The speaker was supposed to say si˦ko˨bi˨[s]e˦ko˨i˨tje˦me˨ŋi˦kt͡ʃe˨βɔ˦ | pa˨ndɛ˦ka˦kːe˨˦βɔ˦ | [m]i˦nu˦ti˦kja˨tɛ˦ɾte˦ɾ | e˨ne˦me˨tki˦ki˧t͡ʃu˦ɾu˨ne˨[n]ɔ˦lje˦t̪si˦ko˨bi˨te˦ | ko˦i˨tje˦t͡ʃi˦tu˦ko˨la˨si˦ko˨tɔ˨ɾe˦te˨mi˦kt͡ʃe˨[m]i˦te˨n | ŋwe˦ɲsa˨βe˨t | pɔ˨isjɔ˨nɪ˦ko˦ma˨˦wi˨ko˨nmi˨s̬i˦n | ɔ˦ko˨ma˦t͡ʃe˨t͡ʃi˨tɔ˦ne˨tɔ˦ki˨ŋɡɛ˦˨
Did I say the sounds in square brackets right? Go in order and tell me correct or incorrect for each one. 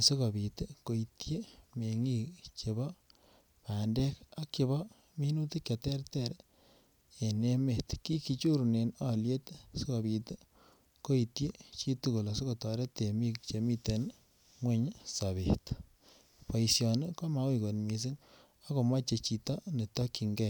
incorrect: t, correct, correct, correct

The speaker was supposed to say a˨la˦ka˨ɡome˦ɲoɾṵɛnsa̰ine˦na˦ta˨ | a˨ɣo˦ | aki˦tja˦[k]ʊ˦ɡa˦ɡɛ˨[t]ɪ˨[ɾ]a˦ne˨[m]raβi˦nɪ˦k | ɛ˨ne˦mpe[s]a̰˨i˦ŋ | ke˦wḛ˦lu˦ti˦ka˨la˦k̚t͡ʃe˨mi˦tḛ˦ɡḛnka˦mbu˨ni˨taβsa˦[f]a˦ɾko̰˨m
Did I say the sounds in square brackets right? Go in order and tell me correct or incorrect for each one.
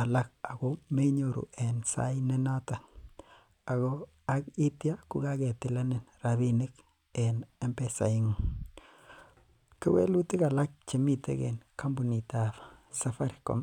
correct, correct, incorrect: l, incorrect: n, correct, correct

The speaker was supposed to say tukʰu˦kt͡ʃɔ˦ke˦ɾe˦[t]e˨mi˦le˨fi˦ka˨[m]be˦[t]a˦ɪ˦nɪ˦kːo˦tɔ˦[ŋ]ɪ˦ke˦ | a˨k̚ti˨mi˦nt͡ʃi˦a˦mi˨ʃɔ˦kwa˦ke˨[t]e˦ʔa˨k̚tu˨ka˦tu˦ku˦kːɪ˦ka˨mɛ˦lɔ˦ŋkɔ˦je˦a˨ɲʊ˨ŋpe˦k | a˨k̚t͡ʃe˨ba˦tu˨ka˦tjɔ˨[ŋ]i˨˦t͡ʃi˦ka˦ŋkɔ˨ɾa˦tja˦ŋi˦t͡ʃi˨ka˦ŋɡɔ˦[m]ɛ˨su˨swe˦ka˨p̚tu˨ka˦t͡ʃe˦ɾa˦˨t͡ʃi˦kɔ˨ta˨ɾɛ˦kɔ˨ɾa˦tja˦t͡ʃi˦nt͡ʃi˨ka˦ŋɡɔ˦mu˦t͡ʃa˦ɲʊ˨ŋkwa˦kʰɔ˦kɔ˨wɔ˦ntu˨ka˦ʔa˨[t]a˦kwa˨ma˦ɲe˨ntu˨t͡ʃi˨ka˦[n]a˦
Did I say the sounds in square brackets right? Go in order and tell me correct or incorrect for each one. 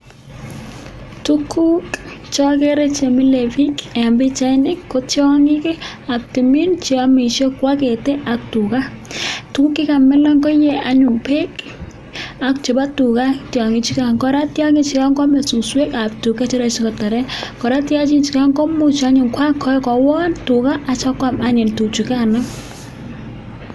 incorrect: t͡ʃ, correct, incorrect: t͡ʃ, correct, correct, correct, correct, incorrect: t͡ʃ, correct

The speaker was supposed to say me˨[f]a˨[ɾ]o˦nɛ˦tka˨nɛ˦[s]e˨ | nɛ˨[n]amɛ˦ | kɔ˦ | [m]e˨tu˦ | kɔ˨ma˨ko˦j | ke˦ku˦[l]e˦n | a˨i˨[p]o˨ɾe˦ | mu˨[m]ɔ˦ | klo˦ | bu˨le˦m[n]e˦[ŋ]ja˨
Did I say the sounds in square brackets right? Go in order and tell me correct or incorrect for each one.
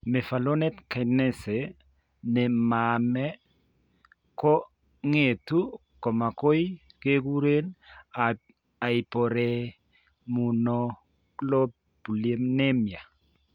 correct, incorrect: l, correct, incorrect: m, incorrect: ŋ, incorrect: ɾ, correct, incorrect: n, correct, incorrect: m

